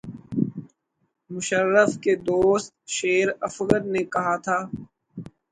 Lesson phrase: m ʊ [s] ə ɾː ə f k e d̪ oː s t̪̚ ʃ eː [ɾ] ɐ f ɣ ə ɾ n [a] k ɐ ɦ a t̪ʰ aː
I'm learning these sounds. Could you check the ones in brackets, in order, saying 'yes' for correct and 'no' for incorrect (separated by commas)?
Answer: no, yes, no